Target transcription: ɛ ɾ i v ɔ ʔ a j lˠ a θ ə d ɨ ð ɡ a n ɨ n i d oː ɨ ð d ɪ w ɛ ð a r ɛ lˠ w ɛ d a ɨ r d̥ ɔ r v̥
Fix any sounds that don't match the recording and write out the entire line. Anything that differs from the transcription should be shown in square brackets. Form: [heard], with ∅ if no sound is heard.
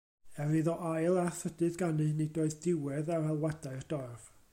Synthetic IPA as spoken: ɛ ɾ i [ð] ɔ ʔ a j lˠ a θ ə d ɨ ð ɡ a n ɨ n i d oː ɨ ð d ɪ w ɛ ð a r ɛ lˠ w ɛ d a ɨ r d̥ ɔ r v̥